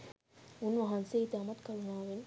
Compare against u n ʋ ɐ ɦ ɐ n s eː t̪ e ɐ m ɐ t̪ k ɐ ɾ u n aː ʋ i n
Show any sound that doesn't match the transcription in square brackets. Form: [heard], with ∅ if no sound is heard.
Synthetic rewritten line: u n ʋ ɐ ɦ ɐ n s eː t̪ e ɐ m ɐ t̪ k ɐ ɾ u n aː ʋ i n